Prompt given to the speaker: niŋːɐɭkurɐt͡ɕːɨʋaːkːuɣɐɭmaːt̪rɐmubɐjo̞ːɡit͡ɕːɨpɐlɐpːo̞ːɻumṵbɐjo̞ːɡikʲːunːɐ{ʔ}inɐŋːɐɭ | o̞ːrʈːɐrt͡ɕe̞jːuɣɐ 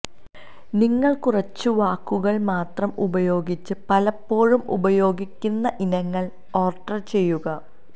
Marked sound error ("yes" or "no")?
no